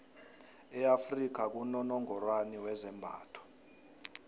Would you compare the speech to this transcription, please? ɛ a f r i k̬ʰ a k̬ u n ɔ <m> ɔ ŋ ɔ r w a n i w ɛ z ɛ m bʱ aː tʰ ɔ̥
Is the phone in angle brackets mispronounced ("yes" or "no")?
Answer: yes